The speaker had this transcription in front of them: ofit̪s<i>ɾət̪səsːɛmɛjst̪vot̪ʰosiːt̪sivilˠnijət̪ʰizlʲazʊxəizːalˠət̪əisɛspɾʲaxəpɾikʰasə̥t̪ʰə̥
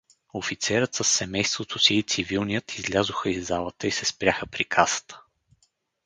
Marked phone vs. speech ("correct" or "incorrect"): incorrect